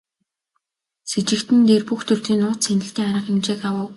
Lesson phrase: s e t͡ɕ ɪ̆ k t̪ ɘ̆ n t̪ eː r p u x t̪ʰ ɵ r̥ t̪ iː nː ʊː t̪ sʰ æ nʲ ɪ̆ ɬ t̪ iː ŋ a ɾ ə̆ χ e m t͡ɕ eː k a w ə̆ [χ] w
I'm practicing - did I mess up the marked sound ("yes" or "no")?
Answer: yes